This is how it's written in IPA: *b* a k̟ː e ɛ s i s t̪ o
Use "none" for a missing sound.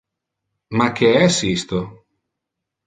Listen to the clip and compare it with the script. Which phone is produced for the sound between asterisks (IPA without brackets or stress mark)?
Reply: m